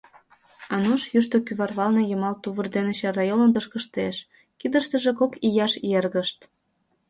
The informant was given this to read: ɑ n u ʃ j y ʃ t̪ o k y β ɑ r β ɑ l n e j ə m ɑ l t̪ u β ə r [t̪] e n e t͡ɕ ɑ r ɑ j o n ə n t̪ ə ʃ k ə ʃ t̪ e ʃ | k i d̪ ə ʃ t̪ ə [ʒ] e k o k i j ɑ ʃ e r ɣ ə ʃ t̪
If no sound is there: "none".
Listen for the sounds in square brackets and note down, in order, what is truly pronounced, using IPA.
d̪, ʒ

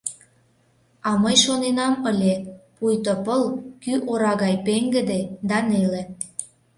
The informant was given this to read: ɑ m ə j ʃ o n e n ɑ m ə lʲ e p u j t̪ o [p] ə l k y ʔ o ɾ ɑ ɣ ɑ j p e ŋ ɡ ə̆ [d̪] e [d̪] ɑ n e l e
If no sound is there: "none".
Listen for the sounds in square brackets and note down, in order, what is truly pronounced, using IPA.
p, d̪, d̪

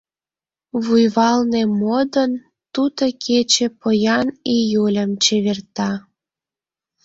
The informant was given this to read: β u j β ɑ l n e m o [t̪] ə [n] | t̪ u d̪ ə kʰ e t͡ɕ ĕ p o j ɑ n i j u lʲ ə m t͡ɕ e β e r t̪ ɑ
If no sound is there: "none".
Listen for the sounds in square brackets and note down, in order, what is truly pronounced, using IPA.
d̪, n

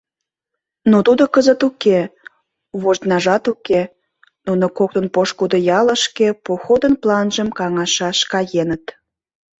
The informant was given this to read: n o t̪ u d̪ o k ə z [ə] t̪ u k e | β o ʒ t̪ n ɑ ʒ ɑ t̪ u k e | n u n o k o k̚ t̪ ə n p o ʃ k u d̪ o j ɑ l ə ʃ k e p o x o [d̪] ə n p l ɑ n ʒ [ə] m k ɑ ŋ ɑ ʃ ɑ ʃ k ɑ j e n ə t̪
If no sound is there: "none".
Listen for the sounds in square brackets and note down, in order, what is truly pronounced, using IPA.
ə, d̪, ə

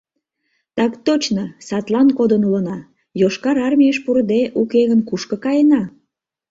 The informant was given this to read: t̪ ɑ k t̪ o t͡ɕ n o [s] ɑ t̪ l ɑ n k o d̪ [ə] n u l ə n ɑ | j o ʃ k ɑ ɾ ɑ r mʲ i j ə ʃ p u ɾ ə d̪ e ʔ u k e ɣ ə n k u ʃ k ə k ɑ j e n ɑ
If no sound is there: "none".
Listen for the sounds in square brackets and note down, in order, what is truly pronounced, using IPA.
s, ə

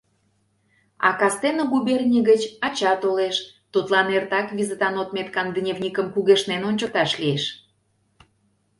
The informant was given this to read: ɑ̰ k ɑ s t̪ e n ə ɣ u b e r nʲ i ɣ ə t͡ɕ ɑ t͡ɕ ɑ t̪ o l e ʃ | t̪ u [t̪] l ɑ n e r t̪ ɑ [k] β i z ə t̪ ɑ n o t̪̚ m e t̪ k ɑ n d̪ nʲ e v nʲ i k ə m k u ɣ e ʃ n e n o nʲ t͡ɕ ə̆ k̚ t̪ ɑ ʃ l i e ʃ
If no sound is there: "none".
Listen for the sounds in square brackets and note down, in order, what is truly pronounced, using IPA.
t̪, k

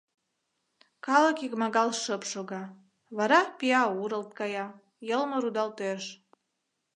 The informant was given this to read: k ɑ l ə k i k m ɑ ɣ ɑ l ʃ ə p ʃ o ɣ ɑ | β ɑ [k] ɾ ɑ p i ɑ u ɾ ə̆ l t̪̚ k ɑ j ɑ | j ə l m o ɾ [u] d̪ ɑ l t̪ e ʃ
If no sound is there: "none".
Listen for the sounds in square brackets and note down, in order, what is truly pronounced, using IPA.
none, u

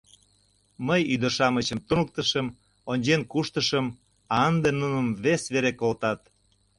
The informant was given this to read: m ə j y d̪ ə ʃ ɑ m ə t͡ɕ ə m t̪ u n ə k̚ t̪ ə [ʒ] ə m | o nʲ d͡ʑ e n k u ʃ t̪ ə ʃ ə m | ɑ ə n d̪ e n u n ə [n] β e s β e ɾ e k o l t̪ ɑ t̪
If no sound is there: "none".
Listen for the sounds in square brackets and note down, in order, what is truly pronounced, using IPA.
ʃ, m

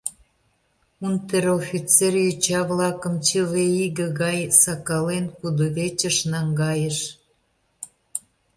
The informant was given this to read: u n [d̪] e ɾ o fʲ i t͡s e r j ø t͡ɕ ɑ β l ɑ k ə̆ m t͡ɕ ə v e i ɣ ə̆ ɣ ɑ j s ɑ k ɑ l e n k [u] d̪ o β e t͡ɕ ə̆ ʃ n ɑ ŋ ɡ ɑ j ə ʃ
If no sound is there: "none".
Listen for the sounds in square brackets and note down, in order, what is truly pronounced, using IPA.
t̪, u

